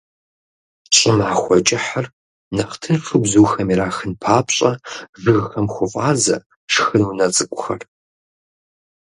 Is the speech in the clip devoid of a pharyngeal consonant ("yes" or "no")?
no